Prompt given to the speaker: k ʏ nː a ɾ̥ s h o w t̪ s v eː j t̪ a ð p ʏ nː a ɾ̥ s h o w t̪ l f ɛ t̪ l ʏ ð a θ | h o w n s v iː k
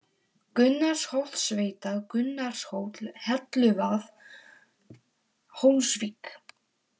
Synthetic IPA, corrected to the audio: k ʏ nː a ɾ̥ s h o w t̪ s v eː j t̪ a ð k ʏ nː a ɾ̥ s h o w t̪ l h ɛ t̪ l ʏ v a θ | h o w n s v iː k